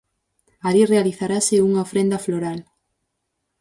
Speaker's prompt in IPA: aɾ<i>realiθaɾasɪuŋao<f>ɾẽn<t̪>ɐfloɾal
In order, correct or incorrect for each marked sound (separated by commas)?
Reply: correct, correct, incorrect